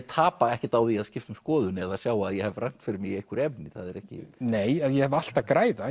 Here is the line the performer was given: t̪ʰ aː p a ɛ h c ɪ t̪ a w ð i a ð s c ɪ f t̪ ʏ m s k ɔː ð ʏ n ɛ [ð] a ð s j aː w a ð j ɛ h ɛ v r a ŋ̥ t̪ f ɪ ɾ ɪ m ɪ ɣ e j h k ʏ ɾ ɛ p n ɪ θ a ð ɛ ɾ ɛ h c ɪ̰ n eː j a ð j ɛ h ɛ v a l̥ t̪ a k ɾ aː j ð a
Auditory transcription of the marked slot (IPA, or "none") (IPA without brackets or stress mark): ð